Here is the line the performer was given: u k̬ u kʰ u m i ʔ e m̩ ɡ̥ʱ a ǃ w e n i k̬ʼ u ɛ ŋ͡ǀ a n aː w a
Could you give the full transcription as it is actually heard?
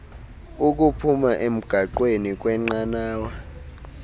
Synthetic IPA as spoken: u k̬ u pʰ u m a ʔ e m̩ ɡ̥ʱ a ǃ w e n i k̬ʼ w ɛ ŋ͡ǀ a n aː w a